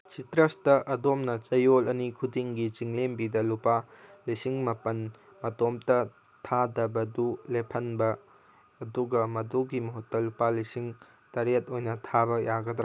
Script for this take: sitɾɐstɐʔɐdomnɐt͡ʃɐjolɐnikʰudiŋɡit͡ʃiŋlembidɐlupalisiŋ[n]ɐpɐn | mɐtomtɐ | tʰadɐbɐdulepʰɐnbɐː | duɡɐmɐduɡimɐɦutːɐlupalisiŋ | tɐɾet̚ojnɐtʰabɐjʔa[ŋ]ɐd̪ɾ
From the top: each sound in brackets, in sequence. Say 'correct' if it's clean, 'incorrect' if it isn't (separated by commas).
incorrect, incorrect